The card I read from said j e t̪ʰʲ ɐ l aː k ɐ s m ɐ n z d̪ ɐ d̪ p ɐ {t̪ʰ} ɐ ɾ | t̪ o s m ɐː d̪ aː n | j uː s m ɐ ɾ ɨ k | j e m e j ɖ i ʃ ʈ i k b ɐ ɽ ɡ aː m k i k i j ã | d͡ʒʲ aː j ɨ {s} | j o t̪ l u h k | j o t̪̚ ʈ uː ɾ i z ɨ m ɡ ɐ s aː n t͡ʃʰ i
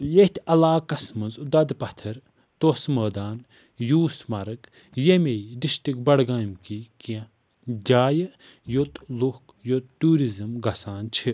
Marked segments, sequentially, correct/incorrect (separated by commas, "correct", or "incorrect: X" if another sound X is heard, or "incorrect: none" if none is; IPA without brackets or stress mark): correct, incorrect: none